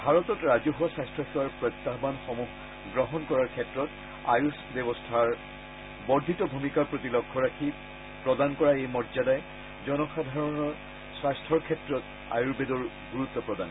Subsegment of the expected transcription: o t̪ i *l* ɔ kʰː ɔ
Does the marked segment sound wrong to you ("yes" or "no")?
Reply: no